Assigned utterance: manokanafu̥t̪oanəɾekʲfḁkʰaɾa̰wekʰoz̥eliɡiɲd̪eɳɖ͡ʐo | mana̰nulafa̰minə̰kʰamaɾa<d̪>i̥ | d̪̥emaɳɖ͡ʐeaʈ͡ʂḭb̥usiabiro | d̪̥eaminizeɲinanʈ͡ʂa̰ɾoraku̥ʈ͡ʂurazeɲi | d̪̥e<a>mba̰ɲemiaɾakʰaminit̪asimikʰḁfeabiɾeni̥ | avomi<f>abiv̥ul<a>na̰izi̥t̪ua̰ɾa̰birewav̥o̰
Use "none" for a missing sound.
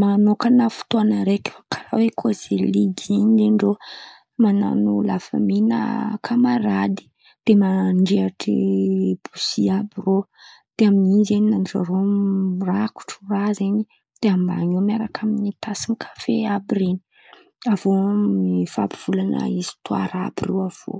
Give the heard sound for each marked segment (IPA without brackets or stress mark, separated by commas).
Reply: d̪, a, f, a